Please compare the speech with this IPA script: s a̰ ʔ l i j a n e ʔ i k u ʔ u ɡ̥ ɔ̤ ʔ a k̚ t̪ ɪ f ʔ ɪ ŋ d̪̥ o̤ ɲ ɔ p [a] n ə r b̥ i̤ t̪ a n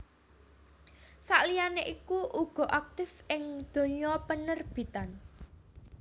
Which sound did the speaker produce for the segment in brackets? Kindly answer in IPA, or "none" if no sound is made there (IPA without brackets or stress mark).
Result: ə